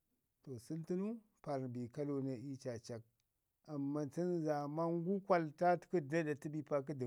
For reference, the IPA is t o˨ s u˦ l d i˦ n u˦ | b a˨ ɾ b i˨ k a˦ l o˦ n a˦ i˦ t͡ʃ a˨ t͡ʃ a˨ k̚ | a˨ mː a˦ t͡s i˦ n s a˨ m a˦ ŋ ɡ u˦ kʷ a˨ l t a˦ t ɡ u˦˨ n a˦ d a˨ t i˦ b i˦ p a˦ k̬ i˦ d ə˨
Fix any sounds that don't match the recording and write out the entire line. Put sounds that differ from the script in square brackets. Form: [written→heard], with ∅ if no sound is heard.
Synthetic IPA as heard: t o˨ s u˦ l [d→t] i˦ n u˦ | [b→p] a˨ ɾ b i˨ k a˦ l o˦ n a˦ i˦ t͡ʃ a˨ t͡ʃ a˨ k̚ | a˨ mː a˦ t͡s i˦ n [s→z] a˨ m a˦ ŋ ɡ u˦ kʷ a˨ l t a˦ t [ɡ→k] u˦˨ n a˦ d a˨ t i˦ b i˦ p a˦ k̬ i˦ d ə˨